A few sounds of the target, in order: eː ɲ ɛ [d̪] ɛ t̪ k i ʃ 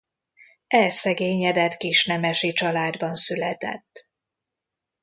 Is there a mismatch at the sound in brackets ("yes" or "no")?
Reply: no